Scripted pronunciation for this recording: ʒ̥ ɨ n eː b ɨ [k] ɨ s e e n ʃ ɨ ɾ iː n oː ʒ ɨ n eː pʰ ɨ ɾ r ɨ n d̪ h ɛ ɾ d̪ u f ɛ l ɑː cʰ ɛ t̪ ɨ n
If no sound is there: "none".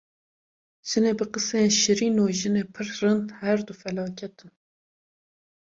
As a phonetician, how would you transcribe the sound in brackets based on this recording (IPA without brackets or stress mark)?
q